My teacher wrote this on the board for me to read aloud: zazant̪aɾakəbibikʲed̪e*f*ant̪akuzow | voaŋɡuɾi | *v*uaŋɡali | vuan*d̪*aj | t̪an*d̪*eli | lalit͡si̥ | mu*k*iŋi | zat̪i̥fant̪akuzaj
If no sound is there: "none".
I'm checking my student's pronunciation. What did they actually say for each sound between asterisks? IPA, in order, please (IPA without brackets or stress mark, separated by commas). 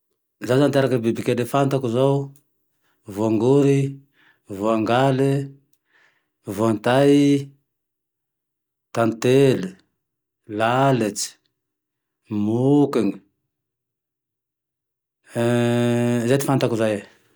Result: f, v, t̪, t̪, k